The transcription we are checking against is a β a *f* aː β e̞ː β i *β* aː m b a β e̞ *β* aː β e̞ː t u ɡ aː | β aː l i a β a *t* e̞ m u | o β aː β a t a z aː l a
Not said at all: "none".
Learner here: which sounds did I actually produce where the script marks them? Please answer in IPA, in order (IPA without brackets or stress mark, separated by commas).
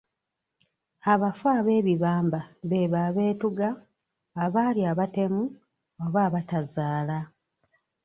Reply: f, β, β, t